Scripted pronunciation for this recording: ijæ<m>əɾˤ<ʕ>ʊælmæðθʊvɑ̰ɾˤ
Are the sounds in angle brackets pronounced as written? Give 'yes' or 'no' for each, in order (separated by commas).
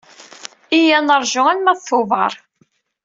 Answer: no, no